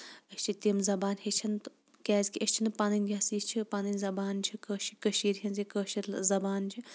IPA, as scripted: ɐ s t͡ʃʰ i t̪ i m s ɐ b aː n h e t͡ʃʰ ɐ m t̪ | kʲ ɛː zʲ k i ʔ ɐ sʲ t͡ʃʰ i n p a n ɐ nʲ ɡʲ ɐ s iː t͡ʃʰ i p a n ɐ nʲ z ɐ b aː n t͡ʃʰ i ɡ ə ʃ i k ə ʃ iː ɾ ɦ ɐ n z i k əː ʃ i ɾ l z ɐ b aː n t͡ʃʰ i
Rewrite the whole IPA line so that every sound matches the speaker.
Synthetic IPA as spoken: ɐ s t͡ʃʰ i t̪ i m z ɐ b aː n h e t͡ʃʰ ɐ n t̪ | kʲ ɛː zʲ k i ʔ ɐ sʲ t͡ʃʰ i n p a n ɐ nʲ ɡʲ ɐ s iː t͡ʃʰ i p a n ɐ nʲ z ɐ b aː n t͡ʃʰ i k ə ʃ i k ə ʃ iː ɾ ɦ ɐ n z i k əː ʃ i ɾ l z ɐ b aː n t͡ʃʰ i